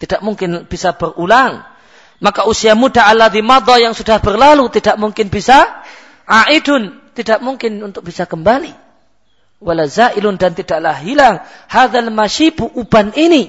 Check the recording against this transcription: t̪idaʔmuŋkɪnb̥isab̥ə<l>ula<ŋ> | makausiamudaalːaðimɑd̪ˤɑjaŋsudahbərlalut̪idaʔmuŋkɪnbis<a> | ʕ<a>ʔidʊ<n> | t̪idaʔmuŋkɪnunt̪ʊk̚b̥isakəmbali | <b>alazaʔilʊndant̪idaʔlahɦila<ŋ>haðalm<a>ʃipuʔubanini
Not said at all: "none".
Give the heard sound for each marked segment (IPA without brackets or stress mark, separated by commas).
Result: r, ŋ, a, a, n, w, ŋ, a